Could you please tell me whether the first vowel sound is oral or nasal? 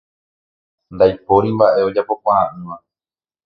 oral